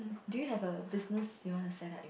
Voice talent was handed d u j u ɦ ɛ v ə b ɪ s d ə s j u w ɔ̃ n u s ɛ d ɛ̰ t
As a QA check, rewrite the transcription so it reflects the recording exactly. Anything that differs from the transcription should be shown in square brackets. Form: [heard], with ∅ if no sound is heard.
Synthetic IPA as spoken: d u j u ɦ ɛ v ə b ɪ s [n] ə s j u w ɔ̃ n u s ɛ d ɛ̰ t